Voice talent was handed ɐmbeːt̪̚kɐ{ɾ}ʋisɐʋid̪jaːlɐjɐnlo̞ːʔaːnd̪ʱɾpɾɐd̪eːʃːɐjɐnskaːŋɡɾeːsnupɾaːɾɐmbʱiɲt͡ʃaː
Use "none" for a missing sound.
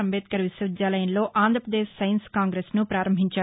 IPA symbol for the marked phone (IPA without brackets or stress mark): ɾ